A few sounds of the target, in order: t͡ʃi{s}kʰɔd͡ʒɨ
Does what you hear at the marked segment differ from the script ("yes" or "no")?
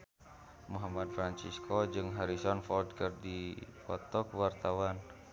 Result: no